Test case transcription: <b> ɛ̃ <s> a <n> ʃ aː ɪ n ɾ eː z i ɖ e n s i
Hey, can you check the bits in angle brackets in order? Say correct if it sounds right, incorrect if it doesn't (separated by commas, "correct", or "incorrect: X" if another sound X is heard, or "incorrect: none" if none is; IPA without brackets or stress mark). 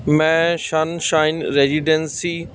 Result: incorrect: m, incorrect: ʃ, correct